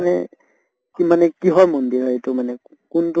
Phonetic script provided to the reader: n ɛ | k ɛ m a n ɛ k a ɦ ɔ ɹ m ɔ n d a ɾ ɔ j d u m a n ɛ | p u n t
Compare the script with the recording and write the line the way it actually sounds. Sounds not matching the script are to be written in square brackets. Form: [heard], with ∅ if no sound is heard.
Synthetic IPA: n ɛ | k [i] m a n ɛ k [i] ɦ ɔ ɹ m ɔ n d [i] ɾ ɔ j [t] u m a n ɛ | [k] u n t